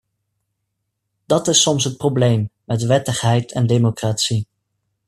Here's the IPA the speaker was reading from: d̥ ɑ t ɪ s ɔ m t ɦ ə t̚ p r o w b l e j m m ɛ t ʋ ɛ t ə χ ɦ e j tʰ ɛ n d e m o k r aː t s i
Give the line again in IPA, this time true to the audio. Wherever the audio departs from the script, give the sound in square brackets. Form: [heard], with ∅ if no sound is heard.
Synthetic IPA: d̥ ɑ t ɪ s ɔ m [s] ɦ ə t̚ p r o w b l e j m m ɛ t ʋ ɛ t ə χ ɦ [ɛ] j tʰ ɛ n d e m o k r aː t s i